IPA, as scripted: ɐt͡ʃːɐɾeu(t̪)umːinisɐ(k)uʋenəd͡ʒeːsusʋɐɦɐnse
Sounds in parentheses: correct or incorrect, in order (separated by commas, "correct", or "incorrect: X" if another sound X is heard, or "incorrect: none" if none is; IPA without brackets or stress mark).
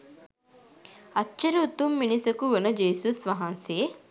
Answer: correct, correct